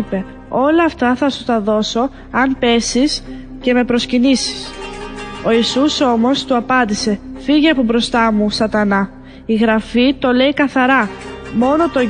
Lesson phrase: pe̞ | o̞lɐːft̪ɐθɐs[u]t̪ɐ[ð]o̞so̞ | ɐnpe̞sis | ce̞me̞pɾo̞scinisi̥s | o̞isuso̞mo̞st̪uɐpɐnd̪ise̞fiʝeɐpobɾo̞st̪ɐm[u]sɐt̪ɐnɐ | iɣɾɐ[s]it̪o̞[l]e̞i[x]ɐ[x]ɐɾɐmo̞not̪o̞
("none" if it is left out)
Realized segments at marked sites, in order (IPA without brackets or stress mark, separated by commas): u, ð, u, f, l, k, θ